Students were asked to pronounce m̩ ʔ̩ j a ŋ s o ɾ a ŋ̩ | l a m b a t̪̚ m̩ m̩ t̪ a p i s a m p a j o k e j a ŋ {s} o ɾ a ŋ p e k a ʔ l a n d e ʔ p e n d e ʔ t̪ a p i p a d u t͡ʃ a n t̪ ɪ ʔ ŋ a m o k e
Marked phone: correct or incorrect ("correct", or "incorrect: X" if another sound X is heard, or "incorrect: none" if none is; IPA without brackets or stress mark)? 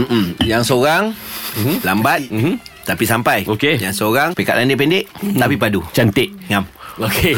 correct